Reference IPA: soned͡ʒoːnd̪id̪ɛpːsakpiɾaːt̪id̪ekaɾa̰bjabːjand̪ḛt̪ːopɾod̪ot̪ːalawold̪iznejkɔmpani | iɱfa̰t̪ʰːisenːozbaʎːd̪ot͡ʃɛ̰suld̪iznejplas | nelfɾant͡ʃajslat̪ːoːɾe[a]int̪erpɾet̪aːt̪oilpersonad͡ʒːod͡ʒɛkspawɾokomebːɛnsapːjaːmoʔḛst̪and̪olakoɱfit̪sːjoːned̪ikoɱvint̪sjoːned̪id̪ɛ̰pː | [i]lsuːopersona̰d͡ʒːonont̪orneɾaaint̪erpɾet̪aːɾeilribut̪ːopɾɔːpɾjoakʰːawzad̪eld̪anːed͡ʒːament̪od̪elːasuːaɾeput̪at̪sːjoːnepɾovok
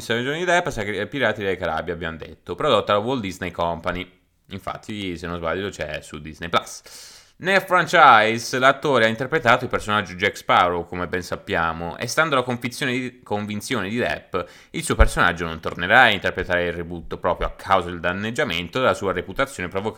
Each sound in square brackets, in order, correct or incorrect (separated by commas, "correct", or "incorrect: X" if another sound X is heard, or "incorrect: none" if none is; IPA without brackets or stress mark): correct, correct